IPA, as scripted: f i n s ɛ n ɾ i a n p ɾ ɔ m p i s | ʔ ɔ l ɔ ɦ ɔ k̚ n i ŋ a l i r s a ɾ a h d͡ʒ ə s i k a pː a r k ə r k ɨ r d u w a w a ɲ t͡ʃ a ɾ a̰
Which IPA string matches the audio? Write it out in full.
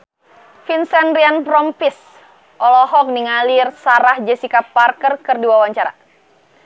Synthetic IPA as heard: f i n s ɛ n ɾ i a n p ɾ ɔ m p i s | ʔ ɔ l ɔ ɦ ɔ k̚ n i ŋ a l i r s a ɾ a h d͡ʒ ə s i k a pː a r k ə r k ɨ r d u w a w a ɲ t͡ʃ a ɾ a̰